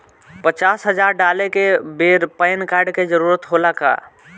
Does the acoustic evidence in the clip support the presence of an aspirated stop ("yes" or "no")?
no